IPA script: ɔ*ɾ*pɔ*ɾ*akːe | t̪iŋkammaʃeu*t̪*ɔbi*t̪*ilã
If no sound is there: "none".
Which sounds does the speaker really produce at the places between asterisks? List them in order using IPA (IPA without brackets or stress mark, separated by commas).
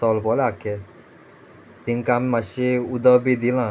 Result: l, l, d̪, d̪